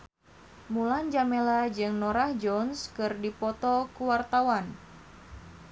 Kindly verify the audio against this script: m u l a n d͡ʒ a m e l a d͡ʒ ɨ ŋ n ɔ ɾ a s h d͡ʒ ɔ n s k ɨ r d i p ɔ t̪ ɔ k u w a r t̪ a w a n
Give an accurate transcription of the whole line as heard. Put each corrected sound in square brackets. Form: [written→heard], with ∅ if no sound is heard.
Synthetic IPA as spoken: m u l a n d͡ʒ a m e l a d͡ʒ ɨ ŋ n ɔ ɾ a [s→∅] h d͡ʒ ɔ n s k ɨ r d i p ɔ t̪ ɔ k u w a r t̪ a w a n